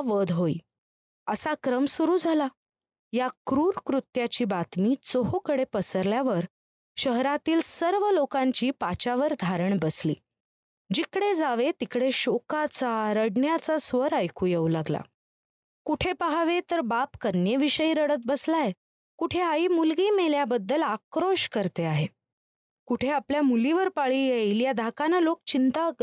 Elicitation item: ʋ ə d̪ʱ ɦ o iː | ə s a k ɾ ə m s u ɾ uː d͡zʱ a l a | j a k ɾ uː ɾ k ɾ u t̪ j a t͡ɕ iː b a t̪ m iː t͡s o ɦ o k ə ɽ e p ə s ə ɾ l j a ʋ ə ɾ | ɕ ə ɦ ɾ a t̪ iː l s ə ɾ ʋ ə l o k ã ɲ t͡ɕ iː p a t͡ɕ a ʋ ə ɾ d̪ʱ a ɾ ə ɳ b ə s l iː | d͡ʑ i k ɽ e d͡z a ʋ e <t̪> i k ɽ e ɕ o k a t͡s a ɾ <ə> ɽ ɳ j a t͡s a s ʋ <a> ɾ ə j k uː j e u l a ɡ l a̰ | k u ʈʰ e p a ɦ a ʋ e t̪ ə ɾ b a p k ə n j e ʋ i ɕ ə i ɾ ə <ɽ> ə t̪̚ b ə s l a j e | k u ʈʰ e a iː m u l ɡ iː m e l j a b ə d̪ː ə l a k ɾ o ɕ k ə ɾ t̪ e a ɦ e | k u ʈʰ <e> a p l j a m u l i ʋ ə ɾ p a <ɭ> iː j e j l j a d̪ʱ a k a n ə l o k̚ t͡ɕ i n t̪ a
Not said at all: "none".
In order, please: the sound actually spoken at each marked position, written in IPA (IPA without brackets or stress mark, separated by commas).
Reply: t̪, ə, ə, ɽ, e, ɭ